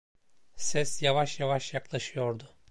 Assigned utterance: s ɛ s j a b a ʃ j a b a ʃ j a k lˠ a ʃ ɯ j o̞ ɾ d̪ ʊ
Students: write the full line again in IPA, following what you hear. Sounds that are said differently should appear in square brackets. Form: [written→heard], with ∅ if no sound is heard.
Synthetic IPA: s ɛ s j a [b→v] a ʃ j a [b→v] a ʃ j a k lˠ a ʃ ɯ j o̞ ɾ d̪ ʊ